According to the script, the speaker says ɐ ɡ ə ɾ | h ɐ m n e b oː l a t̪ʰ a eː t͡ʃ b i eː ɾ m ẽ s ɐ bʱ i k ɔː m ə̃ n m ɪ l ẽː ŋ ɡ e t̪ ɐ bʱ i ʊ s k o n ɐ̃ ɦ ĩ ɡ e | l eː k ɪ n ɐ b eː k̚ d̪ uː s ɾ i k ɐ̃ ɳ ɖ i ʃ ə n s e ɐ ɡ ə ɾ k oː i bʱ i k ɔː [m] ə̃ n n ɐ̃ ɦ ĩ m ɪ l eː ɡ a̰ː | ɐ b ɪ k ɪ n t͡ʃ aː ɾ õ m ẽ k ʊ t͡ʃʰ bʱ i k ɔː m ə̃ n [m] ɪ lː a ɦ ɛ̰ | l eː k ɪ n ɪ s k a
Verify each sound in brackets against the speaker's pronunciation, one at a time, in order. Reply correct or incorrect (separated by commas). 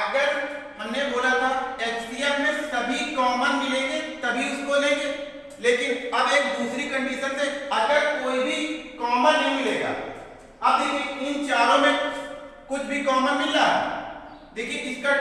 correct, correct